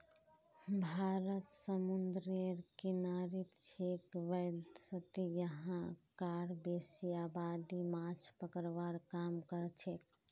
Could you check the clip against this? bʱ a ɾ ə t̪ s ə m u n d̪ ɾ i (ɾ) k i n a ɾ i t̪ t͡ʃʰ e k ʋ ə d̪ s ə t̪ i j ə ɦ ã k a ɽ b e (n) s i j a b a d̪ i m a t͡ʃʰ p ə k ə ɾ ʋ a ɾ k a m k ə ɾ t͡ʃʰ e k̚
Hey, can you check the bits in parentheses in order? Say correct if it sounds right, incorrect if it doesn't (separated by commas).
correct, incorrect